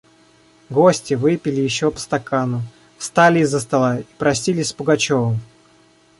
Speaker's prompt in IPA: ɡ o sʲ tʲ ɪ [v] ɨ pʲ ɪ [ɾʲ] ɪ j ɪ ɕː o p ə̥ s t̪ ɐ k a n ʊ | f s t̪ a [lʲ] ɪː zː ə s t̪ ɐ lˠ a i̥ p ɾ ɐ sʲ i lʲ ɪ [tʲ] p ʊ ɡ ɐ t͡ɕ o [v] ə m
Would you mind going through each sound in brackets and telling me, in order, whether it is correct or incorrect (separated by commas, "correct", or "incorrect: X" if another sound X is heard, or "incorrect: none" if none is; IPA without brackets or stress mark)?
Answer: correct, incorrect: lʲ, correct, incorrect: sʲ, correct